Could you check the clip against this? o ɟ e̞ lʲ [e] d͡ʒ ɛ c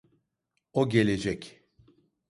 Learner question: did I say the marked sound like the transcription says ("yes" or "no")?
yes